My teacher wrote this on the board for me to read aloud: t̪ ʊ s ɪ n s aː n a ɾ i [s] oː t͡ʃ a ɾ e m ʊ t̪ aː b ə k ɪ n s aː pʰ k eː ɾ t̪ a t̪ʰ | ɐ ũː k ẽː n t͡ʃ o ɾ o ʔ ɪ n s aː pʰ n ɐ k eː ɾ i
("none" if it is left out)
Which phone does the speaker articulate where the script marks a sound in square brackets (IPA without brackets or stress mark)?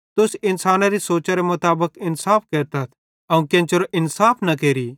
s